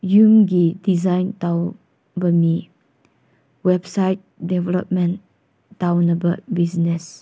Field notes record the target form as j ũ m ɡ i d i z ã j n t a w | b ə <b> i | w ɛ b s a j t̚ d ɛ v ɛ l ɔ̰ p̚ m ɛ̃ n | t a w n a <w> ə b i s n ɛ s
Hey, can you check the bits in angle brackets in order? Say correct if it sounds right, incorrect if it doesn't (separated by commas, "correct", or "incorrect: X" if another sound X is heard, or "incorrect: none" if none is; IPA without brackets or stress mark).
incorrect: m, incorrect: b